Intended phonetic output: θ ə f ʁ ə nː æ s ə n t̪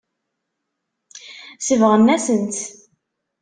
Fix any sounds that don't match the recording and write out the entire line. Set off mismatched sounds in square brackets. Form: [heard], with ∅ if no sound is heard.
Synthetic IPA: [s] ə [v] ʁ ə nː æ s ə n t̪